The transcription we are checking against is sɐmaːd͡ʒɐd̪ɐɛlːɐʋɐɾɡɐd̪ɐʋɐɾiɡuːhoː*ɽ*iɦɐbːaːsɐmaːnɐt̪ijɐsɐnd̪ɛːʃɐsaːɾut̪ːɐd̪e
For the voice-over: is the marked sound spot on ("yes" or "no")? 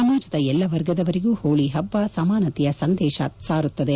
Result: no